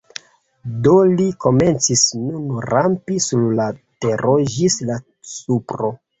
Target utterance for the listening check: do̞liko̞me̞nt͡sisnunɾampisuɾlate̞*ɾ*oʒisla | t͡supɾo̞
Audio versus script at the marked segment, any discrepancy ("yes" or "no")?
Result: no